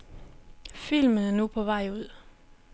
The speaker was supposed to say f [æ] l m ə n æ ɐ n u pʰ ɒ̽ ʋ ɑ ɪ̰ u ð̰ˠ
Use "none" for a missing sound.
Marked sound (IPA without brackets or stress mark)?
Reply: i